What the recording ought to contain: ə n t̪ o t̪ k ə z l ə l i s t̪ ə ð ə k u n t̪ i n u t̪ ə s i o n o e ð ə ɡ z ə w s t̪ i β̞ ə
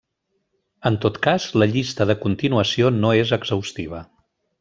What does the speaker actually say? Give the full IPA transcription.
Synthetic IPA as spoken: ə n t̪ o t̪ k a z l ə ʎ i s t̪ ə ð ə k u n t̪ i n u ə s i o n o e z ə ɡ z ə w s t̪ i β̞ ə